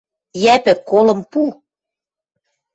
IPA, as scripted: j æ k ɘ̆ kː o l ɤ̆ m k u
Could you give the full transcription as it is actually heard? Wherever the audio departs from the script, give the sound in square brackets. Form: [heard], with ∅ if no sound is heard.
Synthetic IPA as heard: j æ [p] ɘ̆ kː o l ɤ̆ m [p] u